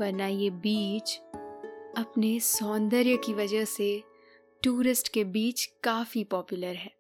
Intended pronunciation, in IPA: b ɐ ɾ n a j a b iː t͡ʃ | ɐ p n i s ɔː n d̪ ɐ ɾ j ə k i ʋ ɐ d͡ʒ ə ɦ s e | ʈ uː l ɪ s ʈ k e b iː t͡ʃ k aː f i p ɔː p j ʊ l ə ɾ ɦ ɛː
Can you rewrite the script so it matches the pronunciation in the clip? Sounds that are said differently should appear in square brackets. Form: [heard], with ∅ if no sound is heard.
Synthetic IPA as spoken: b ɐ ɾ n a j [e] b iː t͡ʃ | ɐ p n [e] s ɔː n d̪ [ə] ɾ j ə k i ʋ ɐ d͡ʒ ə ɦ s e | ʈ uː [ɾ] ɪ s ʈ k e b iː t͡ʃ k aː f i p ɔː p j ʊ l ə ɾ ɦ ɛː